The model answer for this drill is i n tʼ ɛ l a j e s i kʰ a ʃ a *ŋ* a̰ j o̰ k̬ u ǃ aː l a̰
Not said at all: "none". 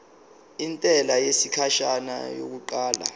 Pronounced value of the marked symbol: n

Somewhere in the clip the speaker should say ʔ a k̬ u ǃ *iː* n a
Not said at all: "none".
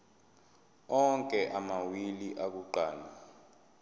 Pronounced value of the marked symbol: aː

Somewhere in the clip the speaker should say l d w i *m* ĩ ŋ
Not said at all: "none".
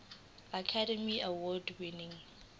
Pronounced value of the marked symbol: n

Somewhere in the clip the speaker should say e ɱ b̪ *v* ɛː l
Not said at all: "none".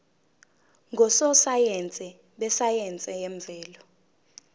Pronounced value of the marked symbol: v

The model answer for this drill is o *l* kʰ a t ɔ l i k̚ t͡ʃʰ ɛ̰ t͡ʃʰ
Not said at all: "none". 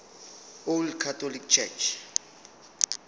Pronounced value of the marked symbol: l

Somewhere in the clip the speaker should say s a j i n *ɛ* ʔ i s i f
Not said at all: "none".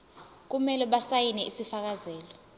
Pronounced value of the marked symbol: ɛ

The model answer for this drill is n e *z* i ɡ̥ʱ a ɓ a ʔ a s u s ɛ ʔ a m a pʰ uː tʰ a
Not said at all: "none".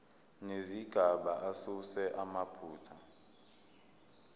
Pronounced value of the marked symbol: z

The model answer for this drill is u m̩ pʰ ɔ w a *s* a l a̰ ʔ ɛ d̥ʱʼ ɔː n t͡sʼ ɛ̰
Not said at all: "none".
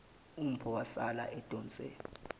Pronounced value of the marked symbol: s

